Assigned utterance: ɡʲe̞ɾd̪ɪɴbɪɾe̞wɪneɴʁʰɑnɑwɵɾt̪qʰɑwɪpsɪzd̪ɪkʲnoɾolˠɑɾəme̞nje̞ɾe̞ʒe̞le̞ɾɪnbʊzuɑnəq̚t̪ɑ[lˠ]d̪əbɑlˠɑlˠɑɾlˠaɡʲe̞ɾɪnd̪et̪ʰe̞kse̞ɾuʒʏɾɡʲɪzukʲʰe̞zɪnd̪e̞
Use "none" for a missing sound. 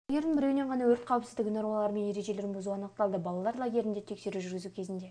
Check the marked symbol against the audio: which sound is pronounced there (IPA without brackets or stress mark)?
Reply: lˠ